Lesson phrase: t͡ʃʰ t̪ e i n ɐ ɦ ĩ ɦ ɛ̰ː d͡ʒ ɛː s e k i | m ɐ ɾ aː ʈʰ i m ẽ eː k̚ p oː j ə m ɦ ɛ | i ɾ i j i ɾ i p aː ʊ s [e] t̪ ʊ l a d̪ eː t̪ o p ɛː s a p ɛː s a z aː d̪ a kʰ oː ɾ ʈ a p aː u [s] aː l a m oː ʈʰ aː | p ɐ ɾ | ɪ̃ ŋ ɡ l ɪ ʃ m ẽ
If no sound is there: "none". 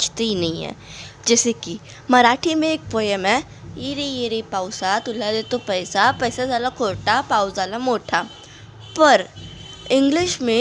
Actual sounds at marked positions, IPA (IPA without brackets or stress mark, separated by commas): a, z